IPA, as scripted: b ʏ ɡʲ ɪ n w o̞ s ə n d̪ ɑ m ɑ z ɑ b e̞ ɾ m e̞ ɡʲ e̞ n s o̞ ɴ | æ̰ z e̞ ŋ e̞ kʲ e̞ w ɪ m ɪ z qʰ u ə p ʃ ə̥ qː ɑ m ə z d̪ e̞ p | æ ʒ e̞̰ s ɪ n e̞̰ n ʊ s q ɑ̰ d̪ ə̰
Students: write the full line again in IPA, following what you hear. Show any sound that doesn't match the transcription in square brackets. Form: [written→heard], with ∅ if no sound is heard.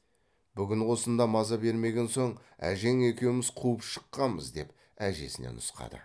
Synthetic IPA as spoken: b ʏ ɡʲ ɪ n w o̞ s ə n d̪ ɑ m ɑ z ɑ b e̞ ɾ m e̞ ɡʲ e̞ n s o̞ ɴ | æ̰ [z→ʒ] e̞ ŋ e̞ kʲ e̞ w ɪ m ɪ z qʰ u ə p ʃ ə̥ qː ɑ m ə z d̪ e̞ p | æ ʒ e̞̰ s ɪ n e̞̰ n ʊ s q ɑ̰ d̪ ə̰